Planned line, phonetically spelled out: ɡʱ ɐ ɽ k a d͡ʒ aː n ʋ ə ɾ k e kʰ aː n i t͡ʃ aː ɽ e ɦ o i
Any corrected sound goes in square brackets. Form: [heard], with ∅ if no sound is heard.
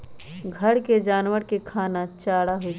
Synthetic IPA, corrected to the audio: ɡʱ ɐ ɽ k [e] d͡ʒ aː n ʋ ə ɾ k e kʰ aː n [a] t͡ʃ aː ɽ [a] ɦ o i